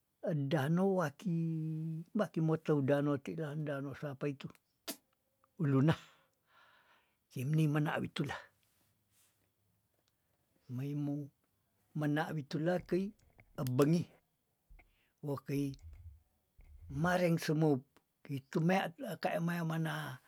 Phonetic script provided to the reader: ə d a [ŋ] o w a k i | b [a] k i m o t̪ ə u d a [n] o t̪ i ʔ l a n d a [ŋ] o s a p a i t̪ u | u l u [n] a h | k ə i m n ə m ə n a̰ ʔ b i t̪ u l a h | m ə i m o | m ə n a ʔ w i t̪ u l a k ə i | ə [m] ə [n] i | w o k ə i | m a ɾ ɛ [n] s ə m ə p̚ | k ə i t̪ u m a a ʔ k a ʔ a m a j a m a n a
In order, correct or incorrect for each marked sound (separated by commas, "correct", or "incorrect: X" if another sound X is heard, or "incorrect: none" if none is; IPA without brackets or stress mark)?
incorrect: n, correct, correct, incorrect: n, correct, incorrect: b, incorrect: ŋ, incorrect: ŋ